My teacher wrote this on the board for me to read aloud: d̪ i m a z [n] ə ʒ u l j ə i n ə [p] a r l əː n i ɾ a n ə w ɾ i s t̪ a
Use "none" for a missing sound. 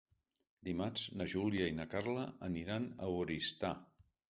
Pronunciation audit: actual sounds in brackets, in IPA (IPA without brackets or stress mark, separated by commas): n, k